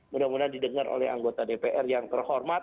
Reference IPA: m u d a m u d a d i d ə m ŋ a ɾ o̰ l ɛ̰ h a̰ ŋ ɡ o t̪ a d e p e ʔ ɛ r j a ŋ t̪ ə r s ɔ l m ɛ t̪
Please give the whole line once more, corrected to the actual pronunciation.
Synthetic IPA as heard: m u d a m u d a d i d ə ŋ a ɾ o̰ l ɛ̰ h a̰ ŋ ɡ o t̪ a d e p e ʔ ɛ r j a ŋ t̪ ə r h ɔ r m a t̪